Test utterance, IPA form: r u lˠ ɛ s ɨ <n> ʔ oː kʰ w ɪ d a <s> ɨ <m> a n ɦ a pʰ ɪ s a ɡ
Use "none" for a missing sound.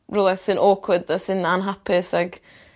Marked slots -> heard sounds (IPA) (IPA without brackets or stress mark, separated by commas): n, s, n